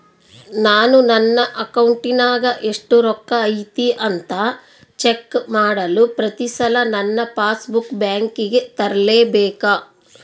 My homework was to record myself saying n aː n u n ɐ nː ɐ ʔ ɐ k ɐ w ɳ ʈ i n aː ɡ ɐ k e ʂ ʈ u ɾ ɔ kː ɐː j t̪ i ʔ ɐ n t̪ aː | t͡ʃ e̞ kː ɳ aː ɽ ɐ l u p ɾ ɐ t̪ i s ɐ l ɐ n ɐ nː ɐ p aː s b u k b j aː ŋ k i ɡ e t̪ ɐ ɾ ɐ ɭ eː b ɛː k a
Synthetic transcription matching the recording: n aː n u n ɐ nː ɐ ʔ ɐ k ɐ w ɳ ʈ i n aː ɡ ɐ ʔ e ʂ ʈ u ɾ ɔ kː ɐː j t̪ i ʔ ɐ n t̪ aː | t͡ʃ e̞ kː m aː ɽ ɐ l u p ɾ ɐ t̪ i s ɐ l ɐ n ɐ nː ɐ p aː s b u k b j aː ŋ k i ɡ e t̪ ɐ ɾ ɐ l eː b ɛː k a